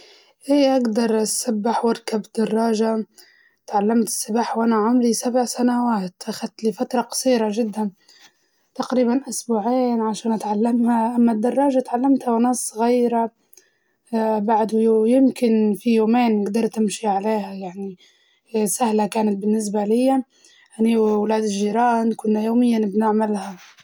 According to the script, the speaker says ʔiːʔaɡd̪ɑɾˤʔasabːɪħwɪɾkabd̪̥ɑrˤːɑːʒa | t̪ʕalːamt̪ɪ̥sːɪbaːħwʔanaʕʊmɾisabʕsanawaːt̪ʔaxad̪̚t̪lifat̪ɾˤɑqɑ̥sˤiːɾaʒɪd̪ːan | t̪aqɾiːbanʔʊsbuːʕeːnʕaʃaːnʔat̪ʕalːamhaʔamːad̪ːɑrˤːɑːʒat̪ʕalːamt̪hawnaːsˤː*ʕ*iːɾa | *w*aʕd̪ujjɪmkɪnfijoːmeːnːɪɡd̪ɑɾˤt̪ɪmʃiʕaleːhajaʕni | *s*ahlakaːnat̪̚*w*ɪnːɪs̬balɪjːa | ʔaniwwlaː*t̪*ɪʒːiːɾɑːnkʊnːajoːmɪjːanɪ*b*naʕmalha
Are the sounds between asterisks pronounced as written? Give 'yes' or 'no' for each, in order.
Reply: no, no, yes, no, no, yes

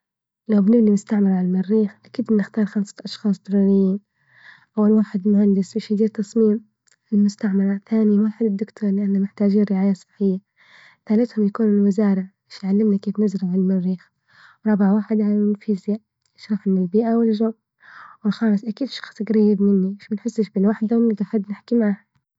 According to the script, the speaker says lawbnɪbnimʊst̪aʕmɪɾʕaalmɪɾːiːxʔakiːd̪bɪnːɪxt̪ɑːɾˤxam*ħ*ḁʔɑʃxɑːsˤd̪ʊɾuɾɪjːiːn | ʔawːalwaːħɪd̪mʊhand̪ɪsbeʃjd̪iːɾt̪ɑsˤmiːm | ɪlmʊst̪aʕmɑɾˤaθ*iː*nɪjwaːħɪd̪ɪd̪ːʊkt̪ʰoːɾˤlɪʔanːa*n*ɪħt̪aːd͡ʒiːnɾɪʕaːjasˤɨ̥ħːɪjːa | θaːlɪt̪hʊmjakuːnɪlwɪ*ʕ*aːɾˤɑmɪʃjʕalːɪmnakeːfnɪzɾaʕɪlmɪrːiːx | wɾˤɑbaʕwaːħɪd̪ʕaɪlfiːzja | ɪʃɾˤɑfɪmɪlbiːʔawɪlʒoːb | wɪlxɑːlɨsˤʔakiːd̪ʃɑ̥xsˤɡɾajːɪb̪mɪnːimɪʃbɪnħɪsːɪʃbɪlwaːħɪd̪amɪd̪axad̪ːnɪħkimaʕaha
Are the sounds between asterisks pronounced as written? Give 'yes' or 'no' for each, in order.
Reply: no, no, no, no

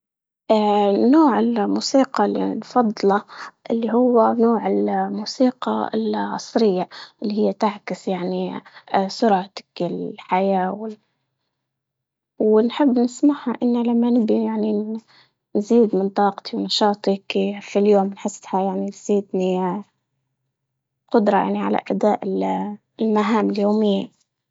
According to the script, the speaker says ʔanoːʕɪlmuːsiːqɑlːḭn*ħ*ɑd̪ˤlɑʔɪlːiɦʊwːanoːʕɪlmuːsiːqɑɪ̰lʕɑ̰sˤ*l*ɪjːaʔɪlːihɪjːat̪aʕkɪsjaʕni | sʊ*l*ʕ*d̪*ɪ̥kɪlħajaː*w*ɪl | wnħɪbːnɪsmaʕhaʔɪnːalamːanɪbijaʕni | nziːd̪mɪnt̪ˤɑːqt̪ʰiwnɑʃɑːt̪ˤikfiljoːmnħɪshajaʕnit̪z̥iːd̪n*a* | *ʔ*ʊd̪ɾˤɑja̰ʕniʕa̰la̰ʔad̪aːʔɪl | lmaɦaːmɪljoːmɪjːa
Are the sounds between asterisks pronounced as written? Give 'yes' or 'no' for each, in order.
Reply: no, no, no, no, yes, no, no

